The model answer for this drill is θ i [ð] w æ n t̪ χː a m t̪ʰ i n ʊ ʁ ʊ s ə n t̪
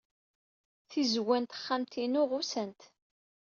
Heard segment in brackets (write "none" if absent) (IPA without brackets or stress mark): z